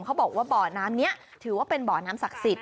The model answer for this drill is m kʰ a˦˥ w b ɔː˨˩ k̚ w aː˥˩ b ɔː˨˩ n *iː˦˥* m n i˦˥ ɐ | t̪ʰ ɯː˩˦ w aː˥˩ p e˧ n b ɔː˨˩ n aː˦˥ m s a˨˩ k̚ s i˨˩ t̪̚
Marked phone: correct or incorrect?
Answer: incorrect